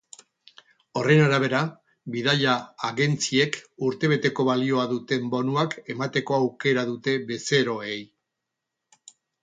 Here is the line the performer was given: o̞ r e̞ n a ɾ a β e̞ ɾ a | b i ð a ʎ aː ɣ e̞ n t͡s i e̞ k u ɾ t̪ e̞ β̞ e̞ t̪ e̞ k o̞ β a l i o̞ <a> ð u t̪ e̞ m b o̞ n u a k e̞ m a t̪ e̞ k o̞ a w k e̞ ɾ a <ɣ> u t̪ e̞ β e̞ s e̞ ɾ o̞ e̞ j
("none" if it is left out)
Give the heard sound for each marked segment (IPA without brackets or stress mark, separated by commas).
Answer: a, ð